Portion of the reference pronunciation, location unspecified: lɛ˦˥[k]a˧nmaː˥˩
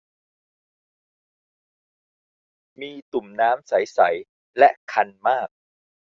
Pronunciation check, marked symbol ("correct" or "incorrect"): incorrect